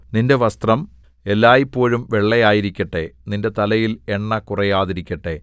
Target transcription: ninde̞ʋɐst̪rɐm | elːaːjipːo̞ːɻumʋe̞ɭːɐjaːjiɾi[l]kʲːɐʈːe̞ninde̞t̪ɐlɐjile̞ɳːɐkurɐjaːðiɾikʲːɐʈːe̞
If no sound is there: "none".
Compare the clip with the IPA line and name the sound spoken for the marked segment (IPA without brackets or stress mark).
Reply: none